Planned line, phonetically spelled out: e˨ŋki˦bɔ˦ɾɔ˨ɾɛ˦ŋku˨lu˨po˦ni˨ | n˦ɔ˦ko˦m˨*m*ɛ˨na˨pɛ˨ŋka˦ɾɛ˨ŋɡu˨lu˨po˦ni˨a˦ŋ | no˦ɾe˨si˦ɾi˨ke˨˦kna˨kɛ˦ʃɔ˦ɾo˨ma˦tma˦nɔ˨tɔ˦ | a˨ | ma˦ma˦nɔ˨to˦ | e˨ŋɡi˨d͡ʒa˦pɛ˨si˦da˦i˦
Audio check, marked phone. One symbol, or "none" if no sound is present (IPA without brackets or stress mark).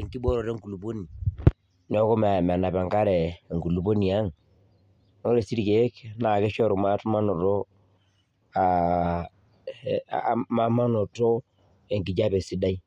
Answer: m